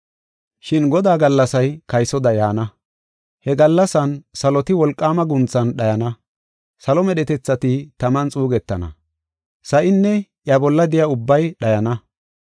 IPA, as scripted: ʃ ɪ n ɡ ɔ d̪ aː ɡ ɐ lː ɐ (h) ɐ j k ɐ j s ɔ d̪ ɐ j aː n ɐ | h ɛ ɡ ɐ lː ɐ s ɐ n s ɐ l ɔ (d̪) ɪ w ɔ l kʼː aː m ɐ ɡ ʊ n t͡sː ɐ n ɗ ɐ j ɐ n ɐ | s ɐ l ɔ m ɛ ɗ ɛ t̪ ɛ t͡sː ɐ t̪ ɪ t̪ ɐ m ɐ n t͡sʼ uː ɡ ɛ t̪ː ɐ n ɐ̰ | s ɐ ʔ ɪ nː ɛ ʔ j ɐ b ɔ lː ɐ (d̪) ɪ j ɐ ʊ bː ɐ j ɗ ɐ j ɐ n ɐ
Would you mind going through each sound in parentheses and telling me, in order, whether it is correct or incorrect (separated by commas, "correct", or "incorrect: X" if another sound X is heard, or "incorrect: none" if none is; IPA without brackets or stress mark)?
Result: incorrect: s, incorrect: t̪, correct